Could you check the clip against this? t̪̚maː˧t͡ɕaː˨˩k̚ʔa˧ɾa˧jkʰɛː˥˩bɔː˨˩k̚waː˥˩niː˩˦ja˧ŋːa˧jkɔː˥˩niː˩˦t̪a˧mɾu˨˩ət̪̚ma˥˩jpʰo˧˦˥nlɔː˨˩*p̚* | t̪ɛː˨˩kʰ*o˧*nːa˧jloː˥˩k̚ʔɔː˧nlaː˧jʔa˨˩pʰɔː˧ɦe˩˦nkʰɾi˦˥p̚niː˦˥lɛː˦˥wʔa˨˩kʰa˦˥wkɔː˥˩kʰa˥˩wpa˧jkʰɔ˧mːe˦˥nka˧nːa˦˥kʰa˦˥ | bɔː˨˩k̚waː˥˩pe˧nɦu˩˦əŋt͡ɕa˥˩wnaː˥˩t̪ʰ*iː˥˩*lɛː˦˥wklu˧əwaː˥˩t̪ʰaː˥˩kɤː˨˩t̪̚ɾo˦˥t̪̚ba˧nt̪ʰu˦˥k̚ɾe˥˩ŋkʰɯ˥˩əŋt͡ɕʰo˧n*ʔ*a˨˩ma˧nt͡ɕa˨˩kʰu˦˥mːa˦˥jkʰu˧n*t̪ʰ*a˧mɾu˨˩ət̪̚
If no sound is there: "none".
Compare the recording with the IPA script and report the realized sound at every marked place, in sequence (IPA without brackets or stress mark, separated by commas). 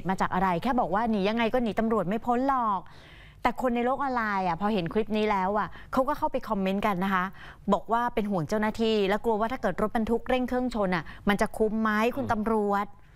k̚, o˧, iː˧, ʔ, t̪